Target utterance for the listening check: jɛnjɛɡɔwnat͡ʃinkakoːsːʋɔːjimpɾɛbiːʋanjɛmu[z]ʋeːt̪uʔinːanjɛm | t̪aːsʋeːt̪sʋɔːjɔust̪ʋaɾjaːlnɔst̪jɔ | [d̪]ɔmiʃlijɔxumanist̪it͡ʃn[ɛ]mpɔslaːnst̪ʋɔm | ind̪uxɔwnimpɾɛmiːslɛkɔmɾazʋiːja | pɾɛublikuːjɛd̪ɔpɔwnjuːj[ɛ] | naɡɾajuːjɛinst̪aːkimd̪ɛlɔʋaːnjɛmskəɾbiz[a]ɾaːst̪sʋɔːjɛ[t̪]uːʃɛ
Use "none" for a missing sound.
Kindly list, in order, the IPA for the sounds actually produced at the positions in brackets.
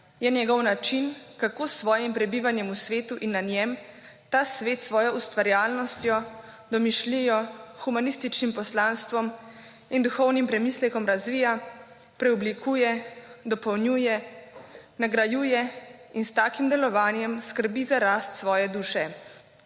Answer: s, d̪, i, ɛ, a, d̪

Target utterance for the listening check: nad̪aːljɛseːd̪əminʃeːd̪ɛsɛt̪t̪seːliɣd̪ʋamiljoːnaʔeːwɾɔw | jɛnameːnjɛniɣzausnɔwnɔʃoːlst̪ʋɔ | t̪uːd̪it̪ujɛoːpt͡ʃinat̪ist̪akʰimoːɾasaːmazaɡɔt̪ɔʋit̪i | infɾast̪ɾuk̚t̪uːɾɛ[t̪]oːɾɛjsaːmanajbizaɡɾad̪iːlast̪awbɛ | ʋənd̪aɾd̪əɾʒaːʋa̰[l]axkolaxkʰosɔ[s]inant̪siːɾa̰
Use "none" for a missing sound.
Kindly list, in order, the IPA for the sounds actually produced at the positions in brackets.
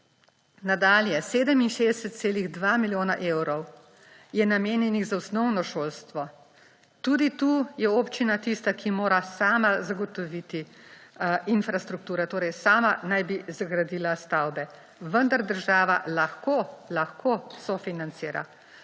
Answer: t̪, l, f

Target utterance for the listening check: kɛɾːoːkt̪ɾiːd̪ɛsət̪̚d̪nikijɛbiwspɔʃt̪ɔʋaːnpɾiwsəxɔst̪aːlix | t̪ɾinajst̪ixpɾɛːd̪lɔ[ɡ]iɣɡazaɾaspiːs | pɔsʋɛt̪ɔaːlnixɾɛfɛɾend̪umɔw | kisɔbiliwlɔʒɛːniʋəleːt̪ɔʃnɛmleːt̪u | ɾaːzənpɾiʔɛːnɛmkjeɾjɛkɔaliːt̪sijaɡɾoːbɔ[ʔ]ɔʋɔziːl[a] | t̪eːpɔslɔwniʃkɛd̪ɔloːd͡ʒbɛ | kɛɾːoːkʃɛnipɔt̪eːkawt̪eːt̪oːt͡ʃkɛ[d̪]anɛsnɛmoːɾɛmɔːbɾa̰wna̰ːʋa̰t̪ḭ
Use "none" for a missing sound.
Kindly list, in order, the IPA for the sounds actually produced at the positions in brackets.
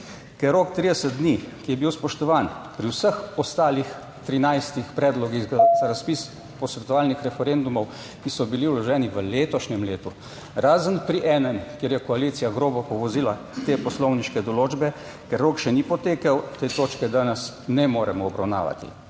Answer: ɡ, p, a, d̪

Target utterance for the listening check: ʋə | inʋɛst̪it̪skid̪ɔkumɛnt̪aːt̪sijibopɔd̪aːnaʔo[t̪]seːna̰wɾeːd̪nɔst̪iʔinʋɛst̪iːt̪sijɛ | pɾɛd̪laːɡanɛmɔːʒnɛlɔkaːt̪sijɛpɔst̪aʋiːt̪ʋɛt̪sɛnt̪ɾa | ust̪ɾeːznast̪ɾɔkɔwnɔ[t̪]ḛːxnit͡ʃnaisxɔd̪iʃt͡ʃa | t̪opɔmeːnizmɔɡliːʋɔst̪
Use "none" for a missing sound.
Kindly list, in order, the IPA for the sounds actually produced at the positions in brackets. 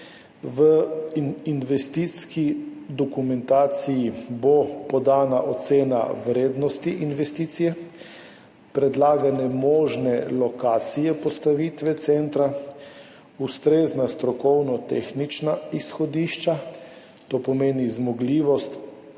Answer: t̪, t̪

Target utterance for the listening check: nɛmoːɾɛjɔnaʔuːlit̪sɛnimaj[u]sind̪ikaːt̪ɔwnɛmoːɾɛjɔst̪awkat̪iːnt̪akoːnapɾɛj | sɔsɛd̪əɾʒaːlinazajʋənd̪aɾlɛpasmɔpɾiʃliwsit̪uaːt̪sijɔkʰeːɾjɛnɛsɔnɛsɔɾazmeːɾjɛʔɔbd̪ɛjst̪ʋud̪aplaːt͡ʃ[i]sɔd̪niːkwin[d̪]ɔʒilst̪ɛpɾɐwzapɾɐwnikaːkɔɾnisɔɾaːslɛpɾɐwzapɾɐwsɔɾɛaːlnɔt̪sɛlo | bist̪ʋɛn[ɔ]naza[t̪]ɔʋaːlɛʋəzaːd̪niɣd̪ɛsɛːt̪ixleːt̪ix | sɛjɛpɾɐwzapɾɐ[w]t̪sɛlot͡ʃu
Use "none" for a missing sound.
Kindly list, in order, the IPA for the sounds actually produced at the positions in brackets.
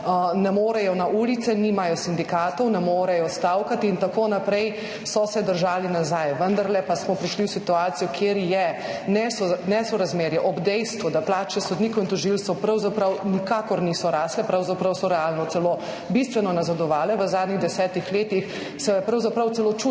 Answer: ɔ, ɛ, t̪, ɔ, d̪, w

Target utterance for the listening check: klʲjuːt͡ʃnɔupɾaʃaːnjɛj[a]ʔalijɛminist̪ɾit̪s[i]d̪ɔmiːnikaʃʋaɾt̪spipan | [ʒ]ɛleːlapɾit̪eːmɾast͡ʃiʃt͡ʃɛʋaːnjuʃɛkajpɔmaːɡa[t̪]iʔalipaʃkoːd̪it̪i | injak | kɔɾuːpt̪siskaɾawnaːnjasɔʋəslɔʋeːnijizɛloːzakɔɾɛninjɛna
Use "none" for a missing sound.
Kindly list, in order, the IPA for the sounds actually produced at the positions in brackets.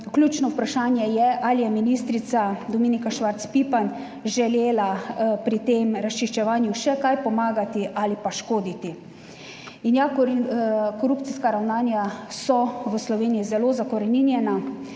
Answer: ɛ, a, ʒ, t̪

